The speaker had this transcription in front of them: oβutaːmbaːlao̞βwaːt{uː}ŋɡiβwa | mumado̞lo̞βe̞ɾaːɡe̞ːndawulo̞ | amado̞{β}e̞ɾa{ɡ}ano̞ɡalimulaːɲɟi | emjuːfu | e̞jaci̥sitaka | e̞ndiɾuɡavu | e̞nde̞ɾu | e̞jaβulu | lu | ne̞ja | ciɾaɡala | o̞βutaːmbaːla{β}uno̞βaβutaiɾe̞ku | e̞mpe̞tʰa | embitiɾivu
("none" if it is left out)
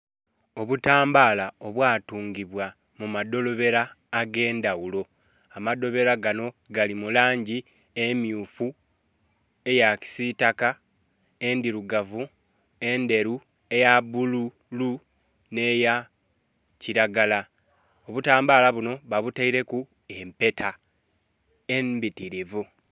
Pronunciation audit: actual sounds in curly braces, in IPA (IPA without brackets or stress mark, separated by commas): uː, β, ɡ, β